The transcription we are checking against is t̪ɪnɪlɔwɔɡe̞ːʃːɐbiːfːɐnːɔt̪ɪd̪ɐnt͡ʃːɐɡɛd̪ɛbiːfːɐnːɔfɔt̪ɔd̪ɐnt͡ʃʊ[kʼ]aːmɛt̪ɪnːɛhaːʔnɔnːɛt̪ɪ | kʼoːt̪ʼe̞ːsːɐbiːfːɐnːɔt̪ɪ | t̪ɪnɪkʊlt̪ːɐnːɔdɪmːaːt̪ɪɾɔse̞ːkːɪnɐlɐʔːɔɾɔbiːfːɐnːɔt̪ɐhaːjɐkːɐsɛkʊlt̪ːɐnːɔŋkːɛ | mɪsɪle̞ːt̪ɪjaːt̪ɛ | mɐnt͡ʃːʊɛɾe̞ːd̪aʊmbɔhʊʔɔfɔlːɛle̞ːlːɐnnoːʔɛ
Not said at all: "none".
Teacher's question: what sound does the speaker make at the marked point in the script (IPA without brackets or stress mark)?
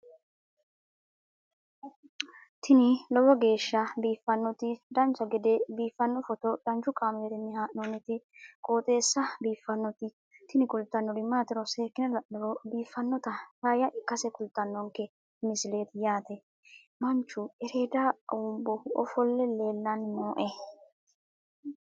kʼ